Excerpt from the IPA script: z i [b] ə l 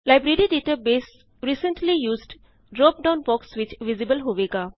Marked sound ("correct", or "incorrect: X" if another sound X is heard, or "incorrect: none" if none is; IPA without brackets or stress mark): correct